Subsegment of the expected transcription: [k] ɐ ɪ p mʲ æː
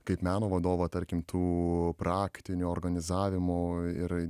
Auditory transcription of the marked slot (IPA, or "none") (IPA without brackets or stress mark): k